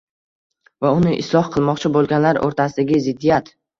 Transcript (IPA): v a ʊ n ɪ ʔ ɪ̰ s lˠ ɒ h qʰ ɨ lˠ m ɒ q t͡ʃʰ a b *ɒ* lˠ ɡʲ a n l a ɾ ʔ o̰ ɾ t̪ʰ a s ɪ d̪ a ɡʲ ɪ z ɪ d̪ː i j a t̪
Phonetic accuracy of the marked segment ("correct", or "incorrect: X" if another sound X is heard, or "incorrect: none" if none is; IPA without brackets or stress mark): incorrect: o